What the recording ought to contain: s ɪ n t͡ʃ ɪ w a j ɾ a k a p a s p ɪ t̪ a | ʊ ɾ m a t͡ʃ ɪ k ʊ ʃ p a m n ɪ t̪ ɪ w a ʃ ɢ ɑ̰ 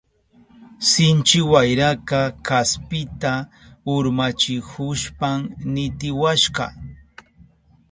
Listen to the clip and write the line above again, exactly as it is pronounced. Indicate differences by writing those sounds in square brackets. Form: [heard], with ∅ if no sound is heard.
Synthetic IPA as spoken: s ɪ n t͡ʃ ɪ w a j ɾ a k a [k] a s p ɪ t̪ a | ʊ ɾ m a t͡ʃ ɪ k ʊ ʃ p a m n ɪ t̪ ɪ w a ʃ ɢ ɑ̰